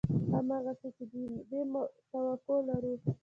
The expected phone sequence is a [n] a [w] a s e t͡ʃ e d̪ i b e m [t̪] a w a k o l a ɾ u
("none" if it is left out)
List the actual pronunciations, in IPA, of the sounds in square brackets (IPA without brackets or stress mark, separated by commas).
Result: m, ɣ, t̪